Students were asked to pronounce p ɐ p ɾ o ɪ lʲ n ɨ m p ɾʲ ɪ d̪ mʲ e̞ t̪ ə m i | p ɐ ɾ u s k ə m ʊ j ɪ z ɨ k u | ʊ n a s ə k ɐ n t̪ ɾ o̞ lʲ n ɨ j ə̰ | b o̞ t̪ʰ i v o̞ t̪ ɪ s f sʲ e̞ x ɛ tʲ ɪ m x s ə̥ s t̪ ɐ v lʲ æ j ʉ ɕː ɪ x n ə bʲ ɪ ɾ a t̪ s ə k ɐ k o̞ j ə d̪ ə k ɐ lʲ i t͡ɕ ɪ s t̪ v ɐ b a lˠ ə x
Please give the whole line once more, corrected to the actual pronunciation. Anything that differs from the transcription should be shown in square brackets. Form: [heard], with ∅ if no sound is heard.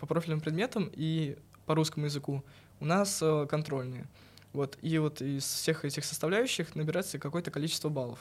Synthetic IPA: p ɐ p ɾ o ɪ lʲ n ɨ m p ɾʲ ɪ d̪ mʲ e̞ t̪ ə m i | p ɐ ɾ u s k ə m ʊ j ɪ z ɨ k u | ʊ n a s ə k ɐ n t̪ ɾ o̞ lʲ n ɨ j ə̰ | [v] o̞ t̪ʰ i v o̞ t̪ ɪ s f sʲ e̞ x ɛ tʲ ɪ [∅] x s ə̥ s t̪ ɐ v lʲ æ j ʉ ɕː ɪ x n ə bʲ ɪ ɾ a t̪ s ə k ɐ k o̞ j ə [t̪] ə k ɐ lʲ i t͡ɕ ɪ s t̪ v [ə] b a lˠ ə [f]